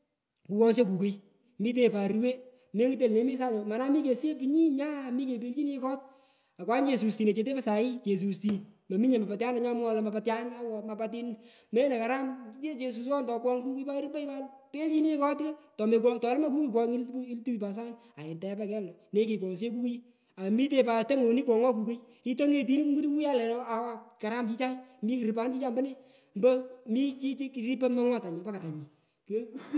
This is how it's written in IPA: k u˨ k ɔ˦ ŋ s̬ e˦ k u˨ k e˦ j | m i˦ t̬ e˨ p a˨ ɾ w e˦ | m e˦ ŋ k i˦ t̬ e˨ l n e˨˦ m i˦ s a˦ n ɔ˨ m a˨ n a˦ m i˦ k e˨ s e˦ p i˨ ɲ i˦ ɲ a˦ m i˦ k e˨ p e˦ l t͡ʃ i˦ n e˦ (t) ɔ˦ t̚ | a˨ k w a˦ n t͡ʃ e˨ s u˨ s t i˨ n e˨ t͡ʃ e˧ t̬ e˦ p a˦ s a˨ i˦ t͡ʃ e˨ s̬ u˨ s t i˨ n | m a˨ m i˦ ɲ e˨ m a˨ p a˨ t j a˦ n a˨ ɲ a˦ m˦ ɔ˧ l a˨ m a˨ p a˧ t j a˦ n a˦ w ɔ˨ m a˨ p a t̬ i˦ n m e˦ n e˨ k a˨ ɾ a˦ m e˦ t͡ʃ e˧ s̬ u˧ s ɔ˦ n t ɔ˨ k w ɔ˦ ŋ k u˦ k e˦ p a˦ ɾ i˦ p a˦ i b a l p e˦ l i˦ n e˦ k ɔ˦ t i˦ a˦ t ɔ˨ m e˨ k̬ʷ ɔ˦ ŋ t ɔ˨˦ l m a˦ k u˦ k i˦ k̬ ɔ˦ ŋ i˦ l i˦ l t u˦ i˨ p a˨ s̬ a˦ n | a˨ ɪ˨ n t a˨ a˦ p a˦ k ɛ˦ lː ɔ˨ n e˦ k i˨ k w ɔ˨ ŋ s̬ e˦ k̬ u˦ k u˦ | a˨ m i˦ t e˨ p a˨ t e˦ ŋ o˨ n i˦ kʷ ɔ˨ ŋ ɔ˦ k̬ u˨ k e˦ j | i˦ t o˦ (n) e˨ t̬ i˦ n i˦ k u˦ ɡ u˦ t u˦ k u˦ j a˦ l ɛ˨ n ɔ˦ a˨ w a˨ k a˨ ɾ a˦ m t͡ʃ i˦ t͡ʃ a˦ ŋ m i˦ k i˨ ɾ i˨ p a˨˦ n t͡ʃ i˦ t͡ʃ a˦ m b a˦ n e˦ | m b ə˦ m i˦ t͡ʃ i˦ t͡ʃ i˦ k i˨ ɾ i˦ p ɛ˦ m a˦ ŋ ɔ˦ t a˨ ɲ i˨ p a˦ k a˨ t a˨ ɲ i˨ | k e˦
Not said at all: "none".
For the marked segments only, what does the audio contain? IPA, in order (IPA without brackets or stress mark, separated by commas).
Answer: k, ŋ